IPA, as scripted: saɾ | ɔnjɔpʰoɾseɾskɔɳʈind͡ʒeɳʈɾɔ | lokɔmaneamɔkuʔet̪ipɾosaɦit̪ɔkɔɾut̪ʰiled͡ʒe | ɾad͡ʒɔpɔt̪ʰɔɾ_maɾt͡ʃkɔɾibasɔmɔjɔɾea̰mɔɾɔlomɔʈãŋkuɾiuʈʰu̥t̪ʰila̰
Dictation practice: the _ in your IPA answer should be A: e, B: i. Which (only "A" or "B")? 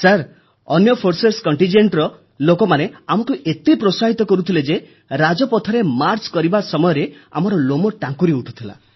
A